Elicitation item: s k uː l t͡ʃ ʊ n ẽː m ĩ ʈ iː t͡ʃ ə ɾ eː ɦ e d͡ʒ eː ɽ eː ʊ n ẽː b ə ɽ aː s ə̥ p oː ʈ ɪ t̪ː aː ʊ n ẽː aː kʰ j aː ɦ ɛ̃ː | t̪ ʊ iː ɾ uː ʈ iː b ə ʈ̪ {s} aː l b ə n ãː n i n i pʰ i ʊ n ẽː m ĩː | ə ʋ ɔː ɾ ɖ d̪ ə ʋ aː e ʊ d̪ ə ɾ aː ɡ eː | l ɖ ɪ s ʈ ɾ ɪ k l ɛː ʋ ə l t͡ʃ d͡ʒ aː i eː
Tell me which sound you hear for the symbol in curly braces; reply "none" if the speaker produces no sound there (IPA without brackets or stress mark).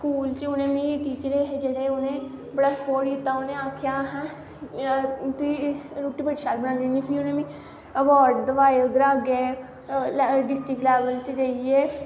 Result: ʃ